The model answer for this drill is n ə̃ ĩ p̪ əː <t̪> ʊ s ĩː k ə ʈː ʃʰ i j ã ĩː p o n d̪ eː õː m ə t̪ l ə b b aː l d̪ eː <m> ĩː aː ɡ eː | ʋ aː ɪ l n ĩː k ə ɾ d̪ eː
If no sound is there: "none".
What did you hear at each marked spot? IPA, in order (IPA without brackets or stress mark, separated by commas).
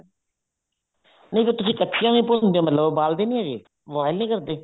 t̪, n